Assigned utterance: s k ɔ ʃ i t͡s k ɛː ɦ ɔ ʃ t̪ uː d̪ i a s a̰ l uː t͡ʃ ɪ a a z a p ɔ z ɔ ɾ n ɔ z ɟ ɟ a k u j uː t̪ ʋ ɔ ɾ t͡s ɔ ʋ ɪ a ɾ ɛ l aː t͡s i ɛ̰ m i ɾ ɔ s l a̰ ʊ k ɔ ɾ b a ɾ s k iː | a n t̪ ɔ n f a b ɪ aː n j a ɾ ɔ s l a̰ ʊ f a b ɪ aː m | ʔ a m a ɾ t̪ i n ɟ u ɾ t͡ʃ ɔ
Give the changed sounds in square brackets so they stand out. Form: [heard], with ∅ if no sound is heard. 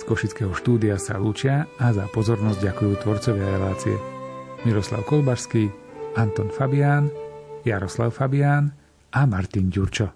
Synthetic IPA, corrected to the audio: s k ɔ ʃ i t͡s k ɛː ɦ ɔ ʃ t̪ uː d̪ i a s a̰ l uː t͡ʃ ɪ a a z a p ɔ z ɔ ɾ n ɔ z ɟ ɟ a k u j uː t̪ ʋ ɔ ɾ t͡s ɔ ʋ ɪ a ɾ ɛ l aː t͡s i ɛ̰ m i ɾ ɔ s l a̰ ʊ k ɔ [l] b a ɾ s k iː | a n t̪ ɔ n f a b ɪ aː n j a ɾ ɔ s l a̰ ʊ f a b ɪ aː [n] | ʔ a m a ɾ t̪ i n ɟ u ɾ t͡ʃ ɔ